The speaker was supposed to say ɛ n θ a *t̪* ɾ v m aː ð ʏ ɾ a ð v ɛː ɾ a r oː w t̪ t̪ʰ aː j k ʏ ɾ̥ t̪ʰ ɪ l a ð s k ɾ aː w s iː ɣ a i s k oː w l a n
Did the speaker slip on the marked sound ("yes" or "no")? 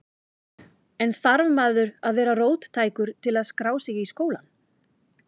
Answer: yes